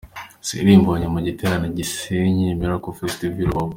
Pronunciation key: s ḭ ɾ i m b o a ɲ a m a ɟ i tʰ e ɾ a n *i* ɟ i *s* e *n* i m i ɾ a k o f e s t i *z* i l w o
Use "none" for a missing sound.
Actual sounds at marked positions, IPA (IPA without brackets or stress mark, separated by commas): a, s, ɲ, v